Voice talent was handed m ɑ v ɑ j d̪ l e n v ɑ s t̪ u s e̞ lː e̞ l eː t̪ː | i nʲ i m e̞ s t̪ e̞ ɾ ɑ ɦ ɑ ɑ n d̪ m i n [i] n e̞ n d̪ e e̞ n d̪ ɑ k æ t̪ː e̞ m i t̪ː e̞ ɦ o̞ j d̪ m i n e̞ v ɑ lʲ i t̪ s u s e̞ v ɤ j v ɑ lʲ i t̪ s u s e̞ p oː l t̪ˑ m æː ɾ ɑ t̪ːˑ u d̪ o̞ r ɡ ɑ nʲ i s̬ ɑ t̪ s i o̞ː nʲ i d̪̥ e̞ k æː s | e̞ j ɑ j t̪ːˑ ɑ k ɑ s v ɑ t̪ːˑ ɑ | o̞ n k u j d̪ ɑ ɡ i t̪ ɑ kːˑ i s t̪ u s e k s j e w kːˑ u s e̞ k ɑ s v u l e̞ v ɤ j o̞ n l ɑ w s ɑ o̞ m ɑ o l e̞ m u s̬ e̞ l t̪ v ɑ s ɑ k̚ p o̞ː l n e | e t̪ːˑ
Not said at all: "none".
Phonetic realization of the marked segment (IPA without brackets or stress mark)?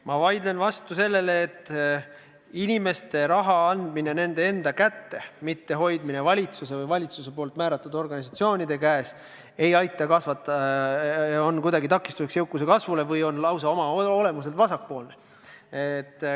e